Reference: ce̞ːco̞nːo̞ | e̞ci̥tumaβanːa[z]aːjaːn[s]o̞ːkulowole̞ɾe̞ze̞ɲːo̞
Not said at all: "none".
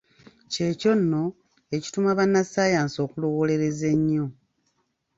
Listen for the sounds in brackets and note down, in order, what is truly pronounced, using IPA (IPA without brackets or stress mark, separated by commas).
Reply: s, s